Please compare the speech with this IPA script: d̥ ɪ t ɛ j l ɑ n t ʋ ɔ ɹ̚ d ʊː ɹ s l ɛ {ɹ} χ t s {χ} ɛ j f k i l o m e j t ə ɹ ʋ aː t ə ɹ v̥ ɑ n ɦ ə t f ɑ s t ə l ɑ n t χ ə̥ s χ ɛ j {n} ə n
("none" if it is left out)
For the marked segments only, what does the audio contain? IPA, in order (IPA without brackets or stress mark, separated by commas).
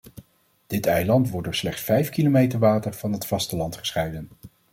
none, f, d